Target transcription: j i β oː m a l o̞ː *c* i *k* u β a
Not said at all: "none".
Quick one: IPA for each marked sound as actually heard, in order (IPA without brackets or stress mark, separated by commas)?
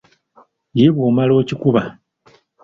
c, k